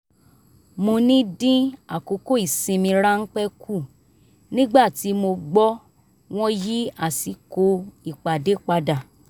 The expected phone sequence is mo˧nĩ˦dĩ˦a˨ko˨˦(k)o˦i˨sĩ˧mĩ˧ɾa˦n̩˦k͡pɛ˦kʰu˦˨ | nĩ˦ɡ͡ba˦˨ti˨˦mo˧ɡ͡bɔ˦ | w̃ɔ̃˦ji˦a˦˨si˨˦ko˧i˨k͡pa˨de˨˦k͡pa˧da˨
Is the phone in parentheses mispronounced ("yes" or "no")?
no